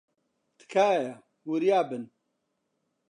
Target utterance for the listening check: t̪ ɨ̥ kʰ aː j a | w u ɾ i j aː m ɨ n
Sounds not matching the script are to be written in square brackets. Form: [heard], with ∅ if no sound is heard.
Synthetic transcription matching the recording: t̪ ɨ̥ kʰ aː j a | w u ɾ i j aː [b] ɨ n